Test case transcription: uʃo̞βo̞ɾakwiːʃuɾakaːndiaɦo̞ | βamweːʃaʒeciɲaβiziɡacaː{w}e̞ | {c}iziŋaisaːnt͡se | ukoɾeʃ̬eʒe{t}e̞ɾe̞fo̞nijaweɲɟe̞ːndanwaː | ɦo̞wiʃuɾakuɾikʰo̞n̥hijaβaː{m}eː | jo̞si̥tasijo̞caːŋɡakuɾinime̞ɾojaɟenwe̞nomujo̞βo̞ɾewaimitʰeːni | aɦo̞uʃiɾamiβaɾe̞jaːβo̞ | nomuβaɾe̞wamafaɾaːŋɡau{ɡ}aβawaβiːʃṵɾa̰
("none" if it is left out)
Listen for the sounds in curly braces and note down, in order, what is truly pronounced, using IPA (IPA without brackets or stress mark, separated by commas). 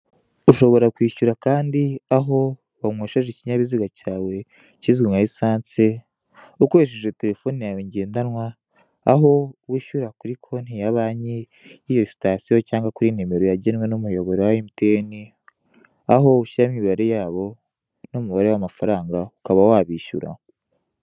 w, c, t, ɲ, k